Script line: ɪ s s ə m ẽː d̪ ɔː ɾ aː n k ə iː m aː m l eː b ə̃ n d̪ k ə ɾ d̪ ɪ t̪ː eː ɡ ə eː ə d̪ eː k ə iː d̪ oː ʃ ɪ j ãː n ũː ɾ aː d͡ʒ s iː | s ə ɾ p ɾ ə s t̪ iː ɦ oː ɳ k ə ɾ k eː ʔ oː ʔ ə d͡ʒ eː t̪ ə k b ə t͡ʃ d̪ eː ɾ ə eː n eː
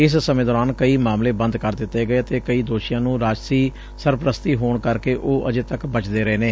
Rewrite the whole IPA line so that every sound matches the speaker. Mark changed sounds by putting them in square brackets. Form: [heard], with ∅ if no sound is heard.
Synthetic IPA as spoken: ɪ s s ə m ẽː d̪ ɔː ɾ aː n k ə iː m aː m l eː b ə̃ n d̪ k ə ɾ d̪ ɪ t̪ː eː ɡ ə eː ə [t̪] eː k ə iː d̪ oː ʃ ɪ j ãː n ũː ɾ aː d͡ʒ s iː | s ə ɾ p ɾ ə s t̪ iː ɦ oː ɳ k ə ɾ k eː ʔ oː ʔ ə d͡ʒ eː t̪ ə k b ə t͡ʃ d̪ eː ɾ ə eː n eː